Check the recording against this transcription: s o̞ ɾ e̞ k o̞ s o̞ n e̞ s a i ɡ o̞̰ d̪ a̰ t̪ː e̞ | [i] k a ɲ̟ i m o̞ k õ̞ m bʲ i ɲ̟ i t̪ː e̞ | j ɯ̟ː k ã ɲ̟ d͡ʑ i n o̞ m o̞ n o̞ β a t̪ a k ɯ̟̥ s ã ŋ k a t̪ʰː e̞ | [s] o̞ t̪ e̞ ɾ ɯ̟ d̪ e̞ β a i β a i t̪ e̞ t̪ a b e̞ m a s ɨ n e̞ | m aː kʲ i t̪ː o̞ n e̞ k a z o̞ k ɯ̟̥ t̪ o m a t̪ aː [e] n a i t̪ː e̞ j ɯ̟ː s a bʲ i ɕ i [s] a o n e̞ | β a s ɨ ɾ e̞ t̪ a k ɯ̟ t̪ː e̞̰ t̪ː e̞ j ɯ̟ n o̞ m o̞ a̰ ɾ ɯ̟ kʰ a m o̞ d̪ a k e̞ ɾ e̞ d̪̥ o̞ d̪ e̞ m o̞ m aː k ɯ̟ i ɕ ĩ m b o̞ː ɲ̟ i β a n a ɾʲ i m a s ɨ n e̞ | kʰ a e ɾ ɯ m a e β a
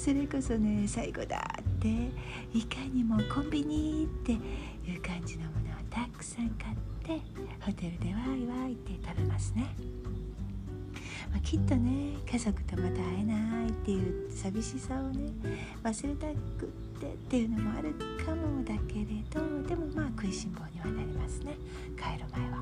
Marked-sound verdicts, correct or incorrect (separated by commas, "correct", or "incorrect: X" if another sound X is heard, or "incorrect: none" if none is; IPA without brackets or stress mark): correct, incorrect: h, correct, correct